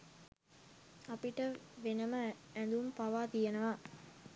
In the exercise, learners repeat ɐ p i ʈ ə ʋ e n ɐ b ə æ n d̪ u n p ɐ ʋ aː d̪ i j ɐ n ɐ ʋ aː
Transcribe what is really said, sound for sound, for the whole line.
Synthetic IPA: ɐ p i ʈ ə ʋ e n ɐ m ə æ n d̪ u m p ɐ ʋ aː t̪ i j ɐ n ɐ ʋ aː